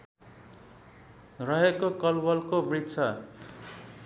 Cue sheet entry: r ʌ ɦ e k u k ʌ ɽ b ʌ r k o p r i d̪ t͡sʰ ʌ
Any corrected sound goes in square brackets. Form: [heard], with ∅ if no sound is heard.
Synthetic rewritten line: r ʌ ɦ e k [o] k ʌ [l] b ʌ [l] k o [b] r i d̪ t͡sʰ ʌ